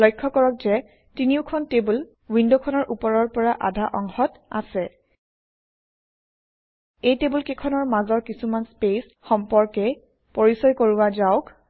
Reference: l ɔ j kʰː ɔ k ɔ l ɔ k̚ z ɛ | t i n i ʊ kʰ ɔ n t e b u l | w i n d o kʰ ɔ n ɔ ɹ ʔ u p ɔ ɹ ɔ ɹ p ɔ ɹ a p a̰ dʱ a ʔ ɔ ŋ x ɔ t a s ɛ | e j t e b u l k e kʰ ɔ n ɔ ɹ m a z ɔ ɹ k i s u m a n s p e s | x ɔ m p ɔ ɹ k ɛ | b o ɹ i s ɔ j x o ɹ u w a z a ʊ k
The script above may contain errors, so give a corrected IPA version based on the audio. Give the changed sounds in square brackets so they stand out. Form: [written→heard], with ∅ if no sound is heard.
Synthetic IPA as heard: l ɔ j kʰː ɔ k ɔ [l→ɹ] ɔ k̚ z ɛ | t i n i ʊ kʰ ɔ n t e b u l | w i n d o kʰ ɔ n ɔ ɹ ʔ u p ɔ ɹ ɔ ɹ p ɔ ɹ a [p→ʔ] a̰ dʱ a ʔ ɔ ŋ x ɔ t a s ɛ | e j t e b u l k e kʰ ɔ n ɔ ɹ m a z ɔ ɹ k i s u m a n s p e s | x ɔ m p ɔ ɹ k ɛ | [b→p] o ɹ i s ɔ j [x→k] o ɹ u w a z a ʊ k